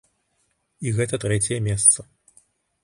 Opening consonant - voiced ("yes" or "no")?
yes